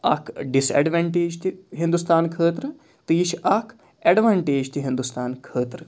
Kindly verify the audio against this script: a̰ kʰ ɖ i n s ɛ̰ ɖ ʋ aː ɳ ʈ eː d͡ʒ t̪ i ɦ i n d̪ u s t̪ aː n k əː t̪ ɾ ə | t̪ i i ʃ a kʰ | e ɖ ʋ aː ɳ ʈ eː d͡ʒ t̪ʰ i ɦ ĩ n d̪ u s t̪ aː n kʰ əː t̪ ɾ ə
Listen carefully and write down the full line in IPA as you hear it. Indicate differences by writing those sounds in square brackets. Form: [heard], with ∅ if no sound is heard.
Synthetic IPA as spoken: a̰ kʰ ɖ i [∅] s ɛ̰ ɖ ʋ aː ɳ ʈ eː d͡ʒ t̪ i ɦ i n d̪ u s t̪ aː n [kʰ] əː t̪ ɾ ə | t̪ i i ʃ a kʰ | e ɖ ʋ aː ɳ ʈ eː d͡ʒ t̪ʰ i ɦ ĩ n d̪ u s t̪ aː n kʰ əː t̪ ɾ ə